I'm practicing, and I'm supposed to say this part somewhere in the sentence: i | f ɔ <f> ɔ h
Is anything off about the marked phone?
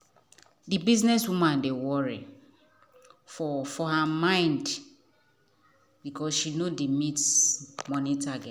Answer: no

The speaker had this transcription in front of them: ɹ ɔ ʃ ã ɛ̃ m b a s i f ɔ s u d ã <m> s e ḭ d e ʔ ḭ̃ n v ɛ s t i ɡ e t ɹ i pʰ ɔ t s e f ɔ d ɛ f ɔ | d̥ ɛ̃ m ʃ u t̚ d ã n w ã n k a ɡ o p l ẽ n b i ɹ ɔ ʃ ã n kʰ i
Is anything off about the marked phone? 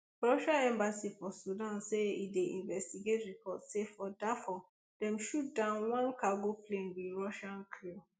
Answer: yes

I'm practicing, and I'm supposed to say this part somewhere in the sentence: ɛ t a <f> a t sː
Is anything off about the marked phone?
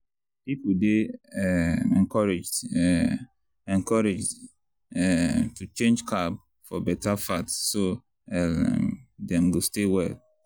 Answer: no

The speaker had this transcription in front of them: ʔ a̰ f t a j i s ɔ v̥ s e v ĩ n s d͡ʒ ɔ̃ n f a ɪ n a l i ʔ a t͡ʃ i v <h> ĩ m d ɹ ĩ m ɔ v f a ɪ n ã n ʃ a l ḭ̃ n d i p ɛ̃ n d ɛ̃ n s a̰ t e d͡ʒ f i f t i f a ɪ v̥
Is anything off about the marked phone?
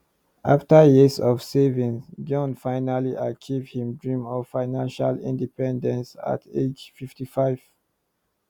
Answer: no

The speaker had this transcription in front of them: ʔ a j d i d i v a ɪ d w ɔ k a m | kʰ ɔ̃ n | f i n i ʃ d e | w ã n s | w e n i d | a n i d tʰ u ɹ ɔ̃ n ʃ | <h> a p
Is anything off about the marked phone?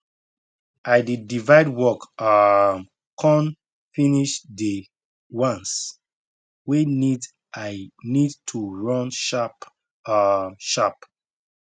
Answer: yes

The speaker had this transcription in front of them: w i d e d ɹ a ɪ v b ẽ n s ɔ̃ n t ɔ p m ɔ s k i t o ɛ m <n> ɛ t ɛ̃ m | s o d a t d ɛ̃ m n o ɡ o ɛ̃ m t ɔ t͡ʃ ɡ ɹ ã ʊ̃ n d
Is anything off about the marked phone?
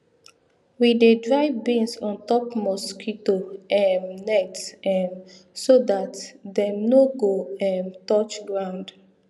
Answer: no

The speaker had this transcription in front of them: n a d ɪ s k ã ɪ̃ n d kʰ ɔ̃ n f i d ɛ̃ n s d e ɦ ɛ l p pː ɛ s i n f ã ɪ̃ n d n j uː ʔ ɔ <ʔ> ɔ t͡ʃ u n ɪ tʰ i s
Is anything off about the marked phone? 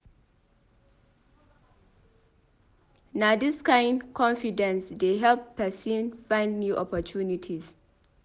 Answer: yes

